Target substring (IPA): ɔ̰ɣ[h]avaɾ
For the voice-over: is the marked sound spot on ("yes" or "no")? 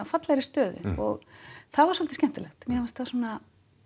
no